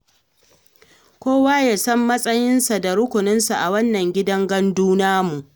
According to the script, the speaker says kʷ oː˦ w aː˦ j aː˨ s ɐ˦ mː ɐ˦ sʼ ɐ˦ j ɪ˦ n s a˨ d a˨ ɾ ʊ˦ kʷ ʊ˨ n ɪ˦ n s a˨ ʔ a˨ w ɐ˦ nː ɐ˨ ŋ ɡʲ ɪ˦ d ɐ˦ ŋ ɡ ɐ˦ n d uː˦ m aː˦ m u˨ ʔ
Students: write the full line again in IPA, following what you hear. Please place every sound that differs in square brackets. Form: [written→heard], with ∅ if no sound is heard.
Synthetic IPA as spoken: kʷ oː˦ w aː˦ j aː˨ s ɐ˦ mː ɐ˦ sʼ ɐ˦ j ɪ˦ n s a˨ d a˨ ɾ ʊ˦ kʷ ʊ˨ n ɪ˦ n s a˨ ʔ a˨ w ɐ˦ nː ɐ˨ ŋ ɡʲ ɪ˦ d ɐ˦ ŋ ɡ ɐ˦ n d uː˦ [m→n] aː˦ m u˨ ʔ